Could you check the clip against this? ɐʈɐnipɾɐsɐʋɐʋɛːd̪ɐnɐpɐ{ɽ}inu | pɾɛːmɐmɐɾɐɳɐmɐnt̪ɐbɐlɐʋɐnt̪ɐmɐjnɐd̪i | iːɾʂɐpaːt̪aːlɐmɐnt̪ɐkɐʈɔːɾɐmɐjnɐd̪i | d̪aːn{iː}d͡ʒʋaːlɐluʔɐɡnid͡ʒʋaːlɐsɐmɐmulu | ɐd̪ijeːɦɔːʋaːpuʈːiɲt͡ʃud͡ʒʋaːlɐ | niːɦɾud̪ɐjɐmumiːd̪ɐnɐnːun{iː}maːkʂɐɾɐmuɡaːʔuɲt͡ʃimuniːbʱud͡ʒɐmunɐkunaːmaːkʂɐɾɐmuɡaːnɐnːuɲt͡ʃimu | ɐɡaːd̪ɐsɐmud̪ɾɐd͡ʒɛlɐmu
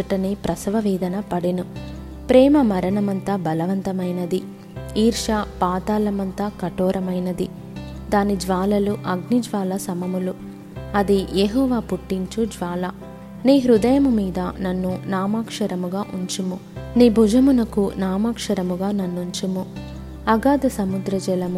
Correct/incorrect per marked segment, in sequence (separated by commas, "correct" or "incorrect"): correct, incorrect, incorrect